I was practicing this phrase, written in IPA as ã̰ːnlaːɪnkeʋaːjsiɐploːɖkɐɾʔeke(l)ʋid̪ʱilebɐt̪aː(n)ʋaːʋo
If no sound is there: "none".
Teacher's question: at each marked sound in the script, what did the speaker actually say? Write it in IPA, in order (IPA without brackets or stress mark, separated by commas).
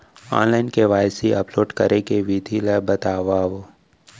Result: none, none